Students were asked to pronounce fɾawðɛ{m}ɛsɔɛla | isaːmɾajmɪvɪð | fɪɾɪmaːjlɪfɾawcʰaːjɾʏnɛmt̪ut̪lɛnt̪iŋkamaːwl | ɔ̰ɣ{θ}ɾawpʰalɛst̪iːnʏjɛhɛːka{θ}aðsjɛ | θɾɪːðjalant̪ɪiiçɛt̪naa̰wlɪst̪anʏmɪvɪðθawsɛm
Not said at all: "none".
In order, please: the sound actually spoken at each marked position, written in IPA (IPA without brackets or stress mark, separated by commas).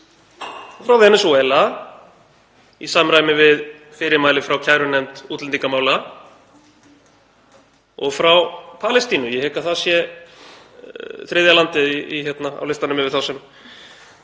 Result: n, f, θ